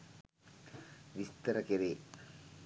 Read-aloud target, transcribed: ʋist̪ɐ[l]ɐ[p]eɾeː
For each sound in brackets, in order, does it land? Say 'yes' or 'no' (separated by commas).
no, no